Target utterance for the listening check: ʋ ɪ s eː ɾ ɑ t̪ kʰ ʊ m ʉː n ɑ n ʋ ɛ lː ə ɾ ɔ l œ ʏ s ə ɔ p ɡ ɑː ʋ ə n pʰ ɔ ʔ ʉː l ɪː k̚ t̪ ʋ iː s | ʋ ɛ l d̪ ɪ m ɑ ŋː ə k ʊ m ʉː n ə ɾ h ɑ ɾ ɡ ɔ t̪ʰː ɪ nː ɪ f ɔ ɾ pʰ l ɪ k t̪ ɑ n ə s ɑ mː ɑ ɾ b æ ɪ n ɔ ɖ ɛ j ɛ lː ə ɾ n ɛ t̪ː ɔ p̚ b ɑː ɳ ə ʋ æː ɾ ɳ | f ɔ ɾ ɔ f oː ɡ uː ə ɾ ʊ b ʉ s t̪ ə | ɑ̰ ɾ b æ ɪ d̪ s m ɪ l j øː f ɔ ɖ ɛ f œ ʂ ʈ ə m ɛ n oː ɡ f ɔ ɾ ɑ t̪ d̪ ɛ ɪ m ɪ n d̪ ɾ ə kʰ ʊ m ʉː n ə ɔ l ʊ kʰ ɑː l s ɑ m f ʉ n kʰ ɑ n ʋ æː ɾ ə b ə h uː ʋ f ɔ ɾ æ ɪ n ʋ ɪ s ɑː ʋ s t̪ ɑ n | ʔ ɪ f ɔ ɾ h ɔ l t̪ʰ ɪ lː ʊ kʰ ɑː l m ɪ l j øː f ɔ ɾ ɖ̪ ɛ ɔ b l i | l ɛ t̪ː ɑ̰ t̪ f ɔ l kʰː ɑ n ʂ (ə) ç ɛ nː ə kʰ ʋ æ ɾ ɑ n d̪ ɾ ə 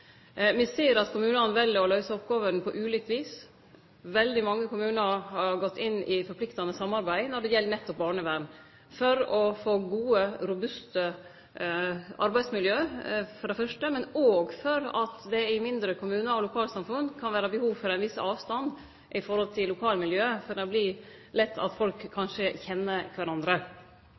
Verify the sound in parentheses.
correct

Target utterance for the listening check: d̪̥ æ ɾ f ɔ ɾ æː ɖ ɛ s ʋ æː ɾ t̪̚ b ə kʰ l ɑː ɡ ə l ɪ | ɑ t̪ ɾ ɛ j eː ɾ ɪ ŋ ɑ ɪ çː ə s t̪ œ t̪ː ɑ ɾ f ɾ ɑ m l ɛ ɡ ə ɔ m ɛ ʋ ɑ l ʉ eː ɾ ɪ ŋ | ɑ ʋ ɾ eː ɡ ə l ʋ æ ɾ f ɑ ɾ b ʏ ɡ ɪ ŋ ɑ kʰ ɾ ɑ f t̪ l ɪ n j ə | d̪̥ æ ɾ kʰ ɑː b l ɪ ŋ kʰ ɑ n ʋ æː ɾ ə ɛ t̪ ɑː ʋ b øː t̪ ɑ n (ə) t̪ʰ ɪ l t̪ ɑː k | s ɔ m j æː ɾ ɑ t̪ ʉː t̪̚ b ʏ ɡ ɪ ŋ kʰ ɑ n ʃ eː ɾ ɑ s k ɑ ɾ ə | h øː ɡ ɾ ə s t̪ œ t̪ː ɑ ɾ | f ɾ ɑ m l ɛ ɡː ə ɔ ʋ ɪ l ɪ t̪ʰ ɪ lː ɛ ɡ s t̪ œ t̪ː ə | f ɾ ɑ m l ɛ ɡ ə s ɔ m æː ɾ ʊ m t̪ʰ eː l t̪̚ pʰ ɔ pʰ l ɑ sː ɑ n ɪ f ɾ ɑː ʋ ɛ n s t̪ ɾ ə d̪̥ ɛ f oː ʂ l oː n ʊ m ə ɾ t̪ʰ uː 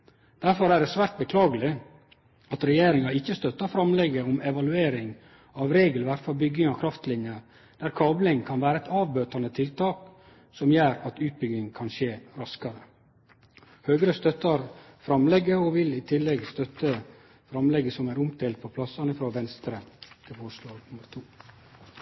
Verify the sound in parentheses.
correct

